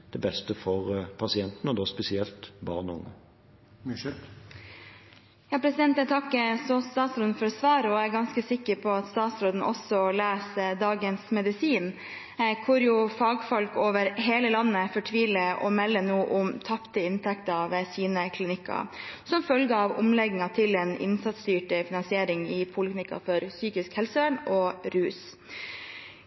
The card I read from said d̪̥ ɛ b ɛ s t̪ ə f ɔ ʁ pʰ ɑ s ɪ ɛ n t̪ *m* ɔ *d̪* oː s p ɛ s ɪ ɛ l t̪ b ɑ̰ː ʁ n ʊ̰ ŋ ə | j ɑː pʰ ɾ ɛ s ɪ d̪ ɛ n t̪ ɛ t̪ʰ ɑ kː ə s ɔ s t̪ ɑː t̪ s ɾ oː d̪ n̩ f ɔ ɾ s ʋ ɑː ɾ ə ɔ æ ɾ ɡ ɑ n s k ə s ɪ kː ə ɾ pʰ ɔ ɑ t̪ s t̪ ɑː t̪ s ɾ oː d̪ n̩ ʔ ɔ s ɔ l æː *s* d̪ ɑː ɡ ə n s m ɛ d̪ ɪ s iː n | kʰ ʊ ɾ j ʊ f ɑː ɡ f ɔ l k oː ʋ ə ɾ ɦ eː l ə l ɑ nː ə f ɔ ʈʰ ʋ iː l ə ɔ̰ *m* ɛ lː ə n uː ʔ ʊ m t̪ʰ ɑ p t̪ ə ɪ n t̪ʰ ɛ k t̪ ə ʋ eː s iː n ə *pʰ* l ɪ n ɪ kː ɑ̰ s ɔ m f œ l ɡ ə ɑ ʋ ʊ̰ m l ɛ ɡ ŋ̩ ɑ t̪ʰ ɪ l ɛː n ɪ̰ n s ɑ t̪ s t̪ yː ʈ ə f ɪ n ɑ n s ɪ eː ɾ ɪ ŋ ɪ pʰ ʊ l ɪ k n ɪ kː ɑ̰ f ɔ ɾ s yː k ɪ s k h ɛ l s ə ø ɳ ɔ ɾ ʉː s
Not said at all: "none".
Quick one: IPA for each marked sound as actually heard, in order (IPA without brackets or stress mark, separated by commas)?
n, d̪, s, m, kʰ